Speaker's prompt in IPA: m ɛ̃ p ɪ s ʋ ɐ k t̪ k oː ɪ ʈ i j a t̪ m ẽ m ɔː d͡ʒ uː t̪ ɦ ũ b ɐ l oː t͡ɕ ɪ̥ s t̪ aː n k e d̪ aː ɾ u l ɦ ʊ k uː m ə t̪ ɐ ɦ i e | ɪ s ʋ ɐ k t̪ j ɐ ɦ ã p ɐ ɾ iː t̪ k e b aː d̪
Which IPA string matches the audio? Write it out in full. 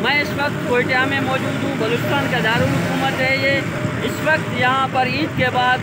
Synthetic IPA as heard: m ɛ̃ ɪ s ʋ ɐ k t̪ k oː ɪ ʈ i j a m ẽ m ɔː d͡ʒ uː d̪ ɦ ũ b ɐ l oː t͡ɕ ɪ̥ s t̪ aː n k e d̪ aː ɾ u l ɦ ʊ k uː m ə t̪ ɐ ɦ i e | ɪ s ʋ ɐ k t̪ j ɐ ɦ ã p ɐ ɾ iː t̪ k e b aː d̪